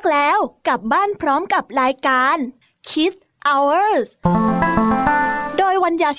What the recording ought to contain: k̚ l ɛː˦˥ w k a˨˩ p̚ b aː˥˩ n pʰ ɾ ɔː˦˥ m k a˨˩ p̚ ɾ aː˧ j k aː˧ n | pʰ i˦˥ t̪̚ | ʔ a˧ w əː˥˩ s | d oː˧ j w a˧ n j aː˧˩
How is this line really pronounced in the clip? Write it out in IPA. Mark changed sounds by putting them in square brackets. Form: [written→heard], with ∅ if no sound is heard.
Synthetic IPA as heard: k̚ l ɛː˦˥ w k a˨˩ p̚ b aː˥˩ n pʰ ɾ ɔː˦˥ m k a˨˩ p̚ ɾ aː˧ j k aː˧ n | [pʰ→kʰ] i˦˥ t̪̚ | ʔ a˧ w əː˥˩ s | d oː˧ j w a˧ n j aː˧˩